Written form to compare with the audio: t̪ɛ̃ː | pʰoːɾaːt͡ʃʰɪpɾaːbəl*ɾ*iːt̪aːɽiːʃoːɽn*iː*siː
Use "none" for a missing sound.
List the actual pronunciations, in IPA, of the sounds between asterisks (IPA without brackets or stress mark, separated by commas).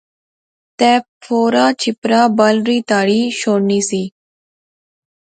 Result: ɾ, iː